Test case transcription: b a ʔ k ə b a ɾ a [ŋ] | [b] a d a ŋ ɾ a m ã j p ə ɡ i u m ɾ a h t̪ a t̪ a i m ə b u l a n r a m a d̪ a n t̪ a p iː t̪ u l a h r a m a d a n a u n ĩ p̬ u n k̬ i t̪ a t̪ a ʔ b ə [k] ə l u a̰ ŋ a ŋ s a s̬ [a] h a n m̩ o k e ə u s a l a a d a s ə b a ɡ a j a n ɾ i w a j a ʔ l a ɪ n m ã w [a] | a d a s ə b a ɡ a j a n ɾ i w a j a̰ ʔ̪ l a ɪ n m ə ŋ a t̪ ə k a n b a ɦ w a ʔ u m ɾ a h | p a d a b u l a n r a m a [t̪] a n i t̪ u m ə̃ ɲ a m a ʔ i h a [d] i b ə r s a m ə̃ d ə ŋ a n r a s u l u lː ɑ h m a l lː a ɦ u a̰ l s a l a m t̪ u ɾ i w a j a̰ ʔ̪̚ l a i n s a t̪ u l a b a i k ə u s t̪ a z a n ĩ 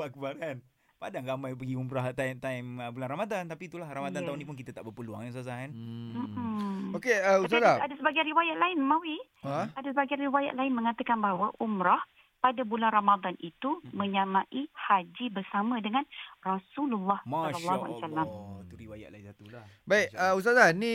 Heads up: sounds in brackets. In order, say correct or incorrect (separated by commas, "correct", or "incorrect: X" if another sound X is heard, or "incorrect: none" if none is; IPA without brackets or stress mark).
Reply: incorrect: n, incorrect: p, incorrect: p, correct, incorrect: i, incorrect: d̪, incorrect: d͡ʒ